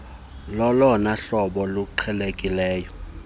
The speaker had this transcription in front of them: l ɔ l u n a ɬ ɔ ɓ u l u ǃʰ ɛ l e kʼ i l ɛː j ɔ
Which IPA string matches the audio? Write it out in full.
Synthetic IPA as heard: l ɔ l ɔ n a ɬ ɔ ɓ ɔ l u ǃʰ ɛ l e kʼ i l ɛː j ɔ